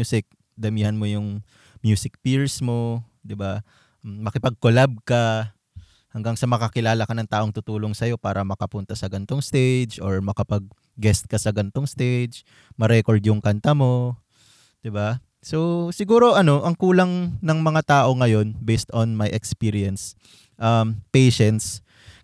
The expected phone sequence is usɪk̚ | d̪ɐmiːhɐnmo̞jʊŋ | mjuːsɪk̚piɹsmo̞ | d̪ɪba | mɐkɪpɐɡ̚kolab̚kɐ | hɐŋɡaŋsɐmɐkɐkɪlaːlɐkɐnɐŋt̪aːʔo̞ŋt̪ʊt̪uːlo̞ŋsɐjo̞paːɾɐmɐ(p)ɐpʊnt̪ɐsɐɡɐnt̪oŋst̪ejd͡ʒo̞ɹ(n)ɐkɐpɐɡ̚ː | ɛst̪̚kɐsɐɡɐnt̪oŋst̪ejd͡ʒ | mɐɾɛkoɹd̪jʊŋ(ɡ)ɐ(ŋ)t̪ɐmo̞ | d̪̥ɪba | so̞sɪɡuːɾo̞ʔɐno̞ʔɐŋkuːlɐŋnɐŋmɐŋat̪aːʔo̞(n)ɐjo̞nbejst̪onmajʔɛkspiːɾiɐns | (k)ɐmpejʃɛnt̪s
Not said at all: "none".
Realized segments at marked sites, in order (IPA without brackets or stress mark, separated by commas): k, m, k, n, ŋ, ʔ